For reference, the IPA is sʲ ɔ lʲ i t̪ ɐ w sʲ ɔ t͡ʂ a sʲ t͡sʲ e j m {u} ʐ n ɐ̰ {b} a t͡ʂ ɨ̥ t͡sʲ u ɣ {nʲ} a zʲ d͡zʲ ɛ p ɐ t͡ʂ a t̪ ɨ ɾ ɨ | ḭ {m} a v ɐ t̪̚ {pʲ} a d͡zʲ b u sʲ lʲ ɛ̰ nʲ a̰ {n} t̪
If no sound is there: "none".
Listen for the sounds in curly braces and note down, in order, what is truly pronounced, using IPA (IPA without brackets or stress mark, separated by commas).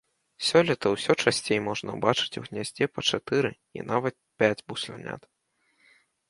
ɔ, b, nʲ, n, pʲ, none